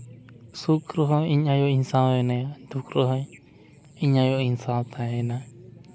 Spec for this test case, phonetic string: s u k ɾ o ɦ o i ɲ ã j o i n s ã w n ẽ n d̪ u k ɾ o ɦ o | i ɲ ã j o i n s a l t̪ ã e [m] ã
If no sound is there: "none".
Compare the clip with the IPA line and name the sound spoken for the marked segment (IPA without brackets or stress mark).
n